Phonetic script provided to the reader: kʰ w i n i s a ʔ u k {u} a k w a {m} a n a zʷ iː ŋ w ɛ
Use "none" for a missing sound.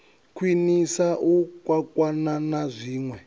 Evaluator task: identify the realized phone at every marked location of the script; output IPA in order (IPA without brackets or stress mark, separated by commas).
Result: w, n